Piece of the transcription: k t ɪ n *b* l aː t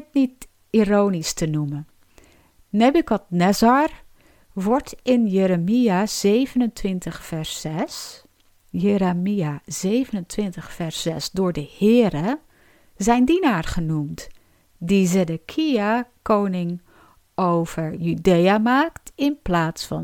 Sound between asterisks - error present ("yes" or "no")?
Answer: yes